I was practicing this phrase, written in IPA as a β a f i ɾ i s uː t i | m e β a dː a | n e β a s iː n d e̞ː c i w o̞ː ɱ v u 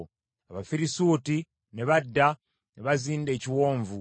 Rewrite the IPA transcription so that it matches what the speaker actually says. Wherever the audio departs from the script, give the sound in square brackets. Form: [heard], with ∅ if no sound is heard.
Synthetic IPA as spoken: a β a f i ɾ i s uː t i | [n] e β a dː a | n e β a [z] iː n d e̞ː c i w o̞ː ɱ v u